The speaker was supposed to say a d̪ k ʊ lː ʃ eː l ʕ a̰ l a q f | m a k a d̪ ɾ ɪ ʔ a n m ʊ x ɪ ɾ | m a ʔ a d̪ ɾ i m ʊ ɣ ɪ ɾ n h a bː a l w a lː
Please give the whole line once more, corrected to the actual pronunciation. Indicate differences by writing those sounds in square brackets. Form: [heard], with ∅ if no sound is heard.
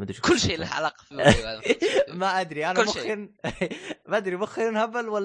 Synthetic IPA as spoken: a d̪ k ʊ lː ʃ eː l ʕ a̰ l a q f | m a [ʔ] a d̪ ɾ [i] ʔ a n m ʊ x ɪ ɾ | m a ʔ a d̪ ɾ i m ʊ [x] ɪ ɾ n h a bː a l w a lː